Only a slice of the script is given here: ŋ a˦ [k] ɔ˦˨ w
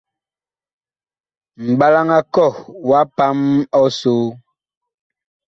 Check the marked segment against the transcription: correct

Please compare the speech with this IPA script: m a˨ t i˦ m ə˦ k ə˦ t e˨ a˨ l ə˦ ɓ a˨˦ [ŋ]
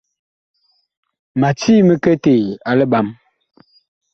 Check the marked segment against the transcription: incorrect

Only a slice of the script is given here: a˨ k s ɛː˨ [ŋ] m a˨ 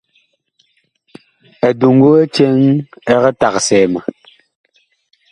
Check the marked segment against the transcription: incorrect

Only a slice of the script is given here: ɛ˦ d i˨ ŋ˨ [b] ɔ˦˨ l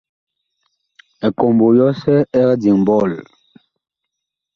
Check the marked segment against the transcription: correct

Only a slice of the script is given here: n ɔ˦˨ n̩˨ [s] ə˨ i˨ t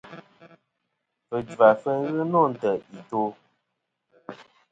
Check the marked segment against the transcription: incorrect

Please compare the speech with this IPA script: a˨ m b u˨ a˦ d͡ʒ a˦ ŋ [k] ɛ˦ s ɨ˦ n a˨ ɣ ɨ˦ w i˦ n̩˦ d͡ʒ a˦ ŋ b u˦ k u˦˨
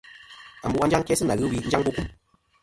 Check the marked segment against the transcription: correct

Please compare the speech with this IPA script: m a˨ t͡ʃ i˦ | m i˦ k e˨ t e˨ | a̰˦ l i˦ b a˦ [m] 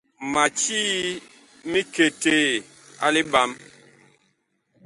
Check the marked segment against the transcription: correct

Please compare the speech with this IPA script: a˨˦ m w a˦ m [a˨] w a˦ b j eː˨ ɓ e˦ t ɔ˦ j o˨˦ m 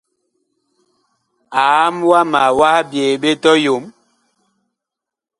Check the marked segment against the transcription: correct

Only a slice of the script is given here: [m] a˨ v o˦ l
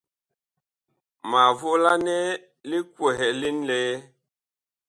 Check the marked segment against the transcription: correct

